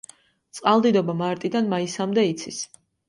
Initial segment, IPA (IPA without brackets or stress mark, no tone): t̪